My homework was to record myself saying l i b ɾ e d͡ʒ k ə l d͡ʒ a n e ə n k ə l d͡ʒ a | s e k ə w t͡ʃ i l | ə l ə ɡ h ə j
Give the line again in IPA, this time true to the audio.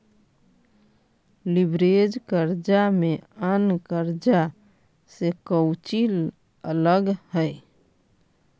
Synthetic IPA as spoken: l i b ɾ e d͡ʒ k ə ɾ d͡ʒ a m e ə n k ə ɾ d͡ʒ a | s e k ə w t͡ʃ i l | ə l ə ɡ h ə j